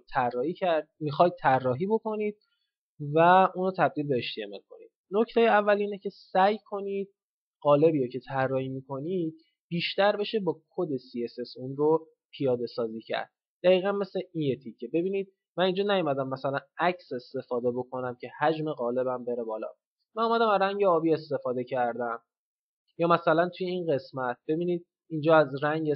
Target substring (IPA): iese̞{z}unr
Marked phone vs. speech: incorrect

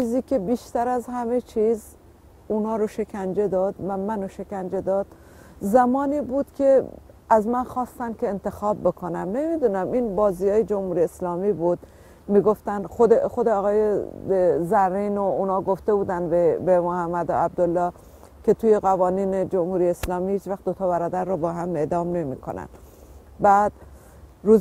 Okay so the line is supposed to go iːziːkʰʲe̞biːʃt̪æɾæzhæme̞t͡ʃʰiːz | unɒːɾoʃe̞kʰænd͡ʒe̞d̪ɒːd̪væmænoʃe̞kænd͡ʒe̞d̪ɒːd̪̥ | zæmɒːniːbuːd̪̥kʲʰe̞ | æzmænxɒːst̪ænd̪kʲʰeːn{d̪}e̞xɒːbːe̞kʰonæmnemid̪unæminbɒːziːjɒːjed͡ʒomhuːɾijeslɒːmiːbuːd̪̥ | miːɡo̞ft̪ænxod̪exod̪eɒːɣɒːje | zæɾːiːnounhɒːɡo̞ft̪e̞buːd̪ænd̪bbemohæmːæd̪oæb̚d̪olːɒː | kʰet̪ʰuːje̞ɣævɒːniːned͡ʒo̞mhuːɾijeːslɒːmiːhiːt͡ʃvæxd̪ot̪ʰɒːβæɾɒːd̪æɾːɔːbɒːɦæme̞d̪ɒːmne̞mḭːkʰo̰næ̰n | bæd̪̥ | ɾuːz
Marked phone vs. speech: incorrect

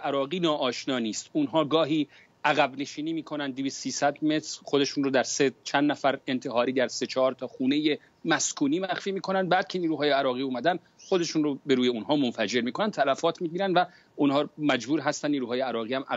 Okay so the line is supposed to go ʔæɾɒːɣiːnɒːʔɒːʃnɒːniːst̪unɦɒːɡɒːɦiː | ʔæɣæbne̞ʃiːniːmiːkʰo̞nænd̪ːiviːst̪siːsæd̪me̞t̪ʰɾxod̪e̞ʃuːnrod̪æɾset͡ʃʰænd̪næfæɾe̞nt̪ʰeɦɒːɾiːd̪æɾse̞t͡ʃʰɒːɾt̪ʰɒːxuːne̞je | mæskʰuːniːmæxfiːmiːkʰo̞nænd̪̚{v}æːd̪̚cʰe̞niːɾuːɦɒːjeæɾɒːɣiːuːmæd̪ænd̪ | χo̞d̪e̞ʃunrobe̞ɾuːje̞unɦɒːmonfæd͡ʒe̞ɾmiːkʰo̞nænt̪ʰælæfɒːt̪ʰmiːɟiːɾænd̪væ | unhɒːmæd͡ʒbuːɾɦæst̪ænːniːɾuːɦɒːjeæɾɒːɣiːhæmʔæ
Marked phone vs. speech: incorrect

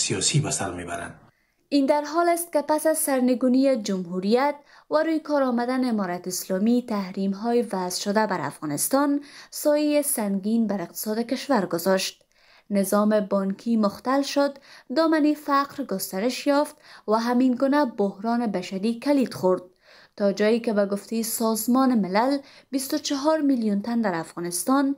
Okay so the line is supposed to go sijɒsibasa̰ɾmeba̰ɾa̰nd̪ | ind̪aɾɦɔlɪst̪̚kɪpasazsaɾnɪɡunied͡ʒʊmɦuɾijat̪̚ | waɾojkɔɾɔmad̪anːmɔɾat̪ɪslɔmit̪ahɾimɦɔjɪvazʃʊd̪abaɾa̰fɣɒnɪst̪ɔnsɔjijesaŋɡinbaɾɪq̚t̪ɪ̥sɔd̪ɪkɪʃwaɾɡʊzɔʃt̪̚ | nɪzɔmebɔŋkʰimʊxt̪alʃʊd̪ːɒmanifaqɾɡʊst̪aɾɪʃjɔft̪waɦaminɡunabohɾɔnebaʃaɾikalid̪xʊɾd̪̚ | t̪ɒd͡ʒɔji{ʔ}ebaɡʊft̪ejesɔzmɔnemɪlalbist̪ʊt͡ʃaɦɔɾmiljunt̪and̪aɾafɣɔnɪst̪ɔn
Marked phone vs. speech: incorrect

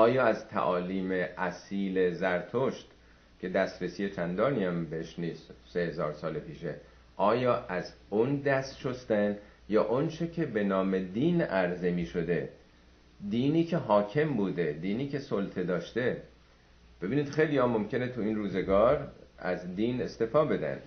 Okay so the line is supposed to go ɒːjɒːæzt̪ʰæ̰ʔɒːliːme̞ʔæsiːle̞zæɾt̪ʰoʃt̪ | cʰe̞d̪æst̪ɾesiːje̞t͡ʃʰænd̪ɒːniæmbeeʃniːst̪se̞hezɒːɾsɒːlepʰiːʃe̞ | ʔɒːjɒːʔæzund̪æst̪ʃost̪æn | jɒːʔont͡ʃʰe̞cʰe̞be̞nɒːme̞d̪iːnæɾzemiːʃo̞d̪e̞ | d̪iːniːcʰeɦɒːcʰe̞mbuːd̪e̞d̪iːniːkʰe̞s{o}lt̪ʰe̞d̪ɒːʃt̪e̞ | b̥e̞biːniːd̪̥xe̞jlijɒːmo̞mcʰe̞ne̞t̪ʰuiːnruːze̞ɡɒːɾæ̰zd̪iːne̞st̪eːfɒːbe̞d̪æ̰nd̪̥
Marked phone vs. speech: correct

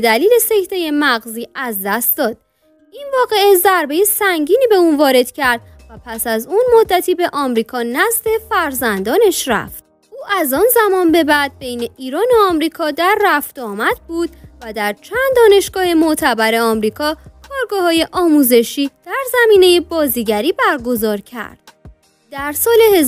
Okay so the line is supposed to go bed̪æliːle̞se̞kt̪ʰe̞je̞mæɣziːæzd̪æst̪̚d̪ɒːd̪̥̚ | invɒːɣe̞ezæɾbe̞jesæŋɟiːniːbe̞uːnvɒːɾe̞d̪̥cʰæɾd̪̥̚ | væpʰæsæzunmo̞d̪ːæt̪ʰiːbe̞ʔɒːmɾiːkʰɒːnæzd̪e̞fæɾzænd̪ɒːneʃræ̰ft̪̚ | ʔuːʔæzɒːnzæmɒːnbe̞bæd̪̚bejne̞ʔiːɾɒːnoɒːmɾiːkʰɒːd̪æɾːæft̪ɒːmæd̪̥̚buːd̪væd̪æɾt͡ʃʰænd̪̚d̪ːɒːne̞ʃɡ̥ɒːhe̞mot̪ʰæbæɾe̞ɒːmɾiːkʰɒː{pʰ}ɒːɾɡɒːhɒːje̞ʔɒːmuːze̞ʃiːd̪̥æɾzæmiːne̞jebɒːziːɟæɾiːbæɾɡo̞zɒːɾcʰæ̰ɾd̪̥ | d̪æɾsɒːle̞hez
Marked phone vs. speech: incorrect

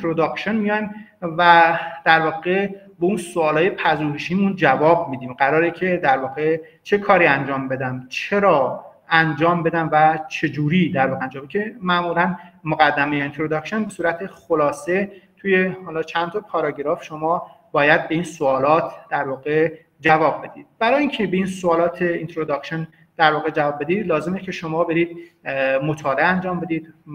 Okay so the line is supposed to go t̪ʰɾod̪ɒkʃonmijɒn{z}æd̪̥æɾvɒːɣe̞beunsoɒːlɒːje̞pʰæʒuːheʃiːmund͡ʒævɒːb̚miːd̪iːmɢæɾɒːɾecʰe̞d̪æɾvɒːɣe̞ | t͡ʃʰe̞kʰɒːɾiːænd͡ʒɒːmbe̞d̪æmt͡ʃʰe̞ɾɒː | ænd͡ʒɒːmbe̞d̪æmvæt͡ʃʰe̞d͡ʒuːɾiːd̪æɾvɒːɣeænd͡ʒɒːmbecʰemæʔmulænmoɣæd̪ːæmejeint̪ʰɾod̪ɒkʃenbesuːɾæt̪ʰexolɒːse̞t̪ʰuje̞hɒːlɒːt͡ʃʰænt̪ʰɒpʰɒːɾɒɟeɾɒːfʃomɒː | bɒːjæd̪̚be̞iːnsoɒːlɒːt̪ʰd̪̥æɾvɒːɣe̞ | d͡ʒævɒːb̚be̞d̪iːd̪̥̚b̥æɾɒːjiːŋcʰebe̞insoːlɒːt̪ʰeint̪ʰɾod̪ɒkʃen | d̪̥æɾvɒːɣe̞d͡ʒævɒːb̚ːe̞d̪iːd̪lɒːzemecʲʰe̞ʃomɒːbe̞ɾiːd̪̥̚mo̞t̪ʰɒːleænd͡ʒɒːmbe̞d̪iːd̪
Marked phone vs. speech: incorrect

